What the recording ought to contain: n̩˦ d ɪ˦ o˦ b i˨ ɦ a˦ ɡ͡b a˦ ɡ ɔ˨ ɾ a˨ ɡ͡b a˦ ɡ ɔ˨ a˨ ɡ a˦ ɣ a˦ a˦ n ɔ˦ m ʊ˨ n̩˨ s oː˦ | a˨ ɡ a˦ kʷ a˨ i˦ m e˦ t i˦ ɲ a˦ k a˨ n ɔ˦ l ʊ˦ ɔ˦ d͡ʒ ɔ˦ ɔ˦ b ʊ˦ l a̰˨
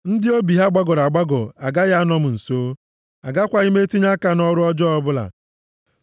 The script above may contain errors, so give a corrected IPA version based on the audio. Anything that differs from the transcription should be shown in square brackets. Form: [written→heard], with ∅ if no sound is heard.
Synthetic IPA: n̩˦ d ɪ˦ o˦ b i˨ ɦ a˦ ɡ͡b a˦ ɡ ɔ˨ ɾ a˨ ɡ͡b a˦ ɡ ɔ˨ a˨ ɡ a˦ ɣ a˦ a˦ n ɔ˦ m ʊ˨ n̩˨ s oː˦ | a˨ ɡ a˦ kʷ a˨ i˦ m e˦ t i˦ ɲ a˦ k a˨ n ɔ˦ [l→ɾ] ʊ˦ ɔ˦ d͡ʒ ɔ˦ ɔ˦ b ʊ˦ l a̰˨